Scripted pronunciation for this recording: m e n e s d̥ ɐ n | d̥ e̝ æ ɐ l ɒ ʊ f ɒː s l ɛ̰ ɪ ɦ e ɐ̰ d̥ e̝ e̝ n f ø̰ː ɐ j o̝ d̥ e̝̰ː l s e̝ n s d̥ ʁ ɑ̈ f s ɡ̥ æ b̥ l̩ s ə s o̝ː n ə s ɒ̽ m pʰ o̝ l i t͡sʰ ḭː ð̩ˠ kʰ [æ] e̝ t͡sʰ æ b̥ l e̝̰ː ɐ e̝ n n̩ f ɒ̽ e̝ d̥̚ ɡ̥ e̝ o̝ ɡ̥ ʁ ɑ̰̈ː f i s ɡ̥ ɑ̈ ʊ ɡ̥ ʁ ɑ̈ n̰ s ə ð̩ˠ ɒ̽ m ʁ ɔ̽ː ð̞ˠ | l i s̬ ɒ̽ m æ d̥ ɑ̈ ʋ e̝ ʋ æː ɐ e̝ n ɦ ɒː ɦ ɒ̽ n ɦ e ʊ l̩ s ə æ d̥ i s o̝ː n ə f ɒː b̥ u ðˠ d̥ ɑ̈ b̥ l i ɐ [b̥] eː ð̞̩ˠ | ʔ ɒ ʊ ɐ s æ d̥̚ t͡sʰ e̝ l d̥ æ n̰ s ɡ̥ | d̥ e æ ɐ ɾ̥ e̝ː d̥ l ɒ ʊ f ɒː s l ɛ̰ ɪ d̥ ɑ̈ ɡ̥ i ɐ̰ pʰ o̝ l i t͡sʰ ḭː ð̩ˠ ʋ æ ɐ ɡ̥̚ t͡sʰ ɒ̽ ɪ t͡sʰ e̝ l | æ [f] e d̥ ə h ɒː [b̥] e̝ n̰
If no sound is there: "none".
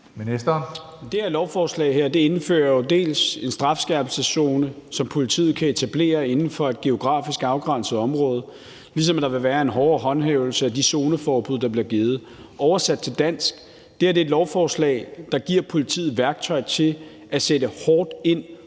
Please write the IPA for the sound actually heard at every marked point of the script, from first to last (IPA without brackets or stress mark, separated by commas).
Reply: æ, ɡ̥, s, d̥